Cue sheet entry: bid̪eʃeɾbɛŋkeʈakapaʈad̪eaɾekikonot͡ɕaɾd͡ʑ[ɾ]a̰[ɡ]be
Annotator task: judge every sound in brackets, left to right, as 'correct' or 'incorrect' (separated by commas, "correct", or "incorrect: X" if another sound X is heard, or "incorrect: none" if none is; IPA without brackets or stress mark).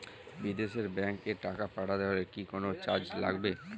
incorrect: l, correct